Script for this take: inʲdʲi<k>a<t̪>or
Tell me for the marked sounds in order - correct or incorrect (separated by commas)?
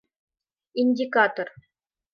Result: correct, correct